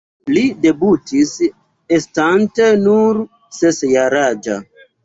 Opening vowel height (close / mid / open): close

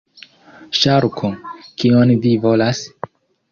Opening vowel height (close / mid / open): open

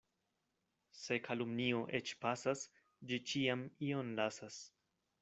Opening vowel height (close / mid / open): mid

